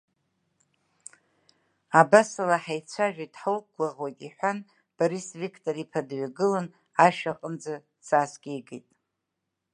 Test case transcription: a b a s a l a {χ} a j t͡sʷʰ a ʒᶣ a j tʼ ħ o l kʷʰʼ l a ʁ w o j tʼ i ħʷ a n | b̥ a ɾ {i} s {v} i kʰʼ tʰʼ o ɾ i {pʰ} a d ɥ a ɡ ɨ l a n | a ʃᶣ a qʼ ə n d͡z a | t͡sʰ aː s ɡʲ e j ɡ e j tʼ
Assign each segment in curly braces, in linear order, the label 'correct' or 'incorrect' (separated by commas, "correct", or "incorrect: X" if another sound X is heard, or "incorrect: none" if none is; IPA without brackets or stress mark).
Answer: incorrect: ħ, correct, correct, correct